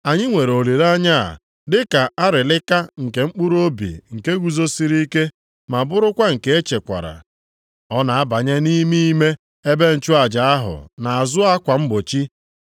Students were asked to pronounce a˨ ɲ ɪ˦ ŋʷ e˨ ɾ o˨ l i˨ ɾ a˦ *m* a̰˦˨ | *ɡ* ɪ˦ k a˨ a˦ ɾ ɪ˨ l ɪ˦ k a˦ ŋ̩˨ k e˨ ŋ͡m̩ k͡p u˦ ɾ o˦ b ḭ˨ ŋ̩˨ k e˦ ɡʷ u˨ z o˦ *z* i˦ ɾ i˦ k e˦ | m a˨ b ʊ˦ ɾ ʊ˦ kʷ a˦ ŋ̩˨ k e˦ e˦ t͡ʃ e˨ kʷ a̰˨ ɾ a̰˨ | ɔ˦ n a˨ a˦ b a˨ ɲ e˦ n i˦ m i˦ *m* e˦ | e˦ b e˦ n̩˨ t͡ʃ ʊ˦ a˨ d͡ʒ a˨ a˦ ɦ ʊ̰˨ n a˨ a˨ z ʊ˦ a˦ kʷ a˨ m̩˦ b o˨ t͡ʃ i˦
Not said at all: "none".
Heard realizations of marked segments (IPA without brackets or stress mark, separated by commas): ɲ, d, s, m